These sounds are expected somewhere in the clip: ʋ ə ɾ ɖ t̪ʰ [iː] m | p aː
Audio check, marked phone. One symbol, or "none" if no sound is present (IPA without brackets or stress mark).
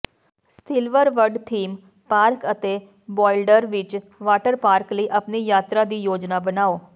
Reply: iː